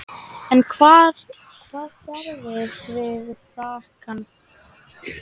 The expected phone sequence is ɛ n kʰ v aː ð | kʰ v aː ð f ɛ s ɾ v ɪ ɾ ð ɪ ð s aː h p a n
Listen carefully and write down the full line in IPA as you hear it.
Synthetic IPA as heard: ɛ n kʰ v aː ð | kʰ v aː ð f ɛ ɾ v ɪ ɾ v ɪ ð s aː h k a n